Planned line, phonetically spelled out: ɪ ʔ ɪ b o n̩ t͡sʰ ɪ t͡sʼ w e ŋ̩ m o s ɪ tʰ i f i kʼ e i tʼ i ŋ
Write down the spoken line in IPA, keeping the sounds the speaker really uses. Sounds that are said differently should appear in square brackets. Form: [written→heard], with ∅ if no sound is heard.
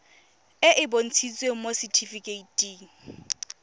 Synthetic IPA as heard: ɪ ʔ ɪ b o n̩ t͡sʰ [ɪ→i] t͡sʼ w e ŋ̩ m o s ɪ tʰ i f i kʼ e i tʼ i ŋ